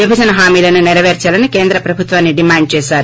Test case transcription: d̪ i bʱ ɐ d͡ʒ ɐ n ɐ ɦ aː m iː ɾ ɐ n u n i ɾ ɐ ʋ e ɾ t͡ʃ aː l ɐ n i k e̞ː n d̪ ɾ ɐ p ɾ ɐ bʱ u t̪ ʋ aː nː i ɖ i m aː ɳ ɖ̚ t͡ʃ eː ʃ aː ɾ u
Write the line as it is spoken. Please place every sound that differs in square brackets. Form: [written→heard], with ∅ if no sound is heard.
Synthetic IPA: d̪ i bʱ ɐ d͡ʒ ɐ n ɐ ɦ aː m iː [ɾ→l] ɐ n u n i ɾ ɐ ʋ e ɾ t͡ʃ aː l ɐ n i k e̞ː n d̪ ɾ ɐ p ɾ ɐ bʱ u t̪ ʋ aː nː i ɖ i m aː ɳ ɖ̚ t͡ʃ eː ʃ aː ɾ u